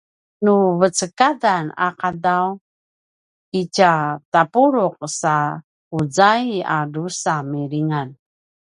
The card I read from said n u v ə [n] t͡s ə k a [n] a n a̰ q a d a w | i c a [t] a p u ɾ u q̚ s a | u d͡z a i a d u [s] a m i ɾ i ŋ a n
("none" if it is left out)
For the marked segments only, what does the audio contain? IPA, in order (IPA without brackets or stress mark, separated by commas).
none, d, t, s